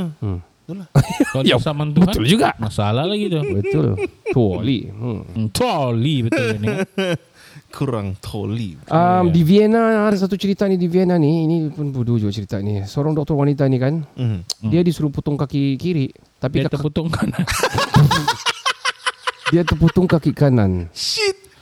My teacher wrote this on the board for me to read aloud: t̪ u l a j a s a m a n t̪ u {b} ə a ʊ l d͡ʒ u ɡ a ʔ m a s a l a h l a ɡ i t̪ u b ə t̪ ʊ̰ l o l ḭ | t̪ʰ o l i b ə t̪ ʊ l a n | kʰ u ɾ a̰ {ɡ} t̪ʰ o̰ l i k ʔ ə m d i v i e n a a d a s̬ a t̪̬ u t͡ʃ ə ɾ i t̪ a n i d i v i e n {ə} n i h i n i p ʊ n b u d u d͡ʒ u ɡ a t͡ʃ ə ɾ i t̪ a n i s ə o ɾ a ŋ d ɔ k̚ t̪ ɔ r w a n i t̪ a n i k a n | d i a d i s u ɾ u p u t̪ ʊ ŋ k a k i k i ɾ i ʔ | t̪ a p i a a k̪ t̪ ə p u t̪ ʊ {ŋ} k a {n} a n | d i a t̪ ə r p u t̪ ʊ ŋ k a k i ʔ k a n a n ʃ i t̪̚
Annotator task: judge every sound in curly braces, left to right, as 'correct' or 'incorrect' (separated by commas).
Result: correct, incorrect, incorrect, correct, correct